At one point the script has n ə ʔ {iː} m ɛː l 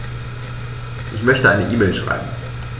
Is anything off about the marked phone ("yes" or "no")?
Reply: no